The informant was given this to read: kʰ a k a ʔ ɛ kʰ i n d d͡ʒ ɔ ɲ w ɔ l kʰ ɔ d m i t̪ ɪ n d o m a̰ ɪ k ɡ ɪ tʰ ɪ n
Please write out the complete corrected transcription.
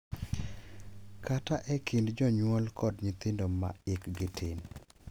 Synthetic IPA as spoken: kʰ a t a ʔ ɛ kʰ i n d d͡ʒ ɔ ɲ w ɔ l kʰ ɔ d ɲ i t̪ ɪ n d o m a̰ ɪ k ɡ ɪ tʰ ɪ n